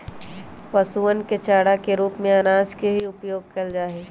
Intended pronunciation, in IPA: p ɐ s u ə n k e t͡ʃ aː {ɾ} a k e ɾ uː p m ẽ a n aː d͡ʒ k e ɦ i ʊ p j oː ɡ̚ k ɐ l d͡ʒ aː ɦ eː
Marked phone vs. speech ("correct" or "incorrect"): incorrect